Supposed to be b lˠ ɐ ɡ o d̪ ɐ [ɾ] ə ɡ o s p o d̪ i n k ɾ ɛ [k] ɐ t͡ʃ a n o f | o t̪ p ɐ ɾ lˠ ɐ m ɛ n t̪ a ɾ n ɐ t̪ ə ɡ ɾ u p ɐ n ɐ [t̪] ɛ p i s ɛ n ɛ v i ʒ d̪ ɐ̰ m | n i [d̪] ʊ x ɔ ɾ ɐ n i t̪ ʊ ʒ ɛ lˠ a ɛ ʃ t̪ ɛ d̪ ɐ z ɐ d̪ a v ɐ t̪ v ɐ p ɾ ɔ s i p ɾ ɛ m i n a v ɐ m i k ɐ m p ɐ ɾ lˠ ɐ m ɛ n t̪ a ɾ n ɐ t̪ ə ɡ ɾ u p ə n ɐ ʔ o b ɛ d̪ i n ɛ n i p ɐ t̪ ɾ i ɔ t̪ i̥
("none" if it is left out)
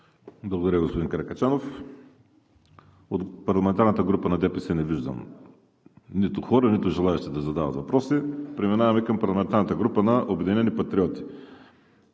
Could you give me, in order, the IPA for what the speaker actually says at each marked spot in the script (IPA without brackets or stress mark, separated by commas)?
ɾ, k, d̪, t̪